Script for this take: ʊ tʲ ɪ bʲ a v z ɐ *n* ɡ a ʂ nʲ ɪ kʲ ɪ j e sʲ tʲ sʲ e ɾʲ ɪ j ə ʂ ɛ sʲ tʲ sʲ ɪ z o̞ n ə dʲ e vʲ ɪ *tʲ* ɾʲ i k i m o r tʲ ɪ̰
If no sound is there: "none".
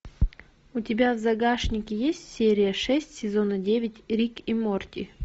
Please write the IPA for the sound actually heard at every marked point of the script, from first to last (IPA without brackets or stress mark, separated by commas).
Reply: none, tʲ